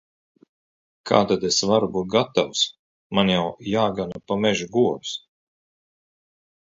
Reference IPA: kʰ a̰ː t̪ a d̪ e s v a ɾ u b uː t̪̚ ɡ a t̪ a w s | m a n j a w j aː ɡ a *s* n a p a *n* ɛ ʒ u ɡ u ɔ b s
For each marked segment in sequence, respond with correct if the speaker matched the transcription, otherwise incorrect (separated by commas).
incorrect, incorrect